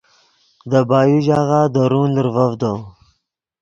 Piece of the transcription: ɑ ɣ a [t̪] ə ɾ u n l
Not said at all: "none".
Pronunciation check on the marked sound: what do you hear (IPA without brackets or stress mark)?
d̪